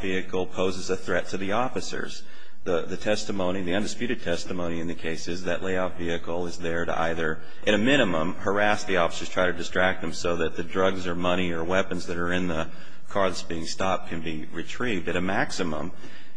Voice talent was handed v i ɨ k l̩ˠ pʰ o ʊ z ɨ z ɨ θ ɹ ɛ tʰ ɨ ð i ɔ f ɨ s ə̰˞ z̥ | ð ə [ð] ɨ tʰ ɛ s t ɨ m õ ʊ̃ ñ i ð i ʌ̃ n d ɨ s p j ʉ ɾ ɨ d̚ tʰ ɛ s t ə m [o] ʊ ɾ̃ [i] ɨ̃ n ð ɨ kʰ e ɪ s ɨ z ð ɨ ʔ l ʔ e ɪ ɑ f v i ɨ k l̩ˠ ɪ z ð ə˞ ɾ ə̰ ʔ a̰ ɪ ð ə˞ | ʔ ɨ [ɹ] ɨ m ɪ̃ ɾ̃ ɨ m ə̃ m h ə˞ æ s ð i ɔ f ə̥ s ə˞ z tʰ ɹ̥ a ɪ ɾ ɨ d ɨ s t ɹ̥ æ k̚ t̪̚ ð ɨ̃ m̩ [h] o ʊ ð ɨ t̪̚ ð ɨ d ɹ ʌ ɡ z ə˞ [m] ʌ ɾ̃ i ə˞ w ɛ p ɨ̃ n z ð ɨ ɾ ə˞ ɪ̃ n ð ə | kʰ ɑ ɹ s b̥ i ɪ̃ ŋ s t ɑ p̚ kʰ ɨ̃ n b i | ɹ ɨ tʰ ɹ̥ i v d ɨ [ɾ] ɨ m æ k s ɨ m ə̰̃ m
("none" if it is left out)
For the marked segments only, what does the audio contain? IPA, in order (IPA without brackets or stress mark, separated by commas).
ð, õ, i, ɾ, s, m, ɾ